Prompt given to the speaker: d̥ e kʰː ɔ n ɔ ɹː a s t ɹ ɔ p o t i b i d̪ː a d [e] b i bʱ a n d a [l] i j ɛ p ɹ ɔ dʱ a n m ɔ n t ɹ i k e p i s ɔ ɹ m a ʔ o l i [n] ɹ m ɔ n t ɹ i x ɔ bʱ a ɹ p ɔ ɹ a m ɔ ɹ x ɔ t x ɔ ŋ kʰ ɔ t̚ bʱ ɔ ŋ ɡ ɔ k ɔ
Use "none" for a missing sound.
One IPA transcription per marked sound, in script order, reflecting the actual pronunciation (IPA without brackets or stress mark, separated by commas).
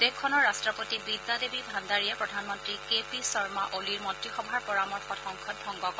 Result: e, ɹ, none